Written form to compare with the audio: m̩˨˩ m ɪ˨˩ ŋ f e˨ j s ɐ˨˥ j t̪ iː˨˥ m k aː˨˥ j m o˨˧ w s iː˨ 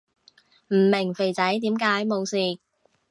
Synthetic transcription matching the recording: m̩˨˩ m ɪ˨˩ ŋ f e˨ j t͡s ɐ˨˥ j t̪ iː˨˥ m k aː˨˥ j m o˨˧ w s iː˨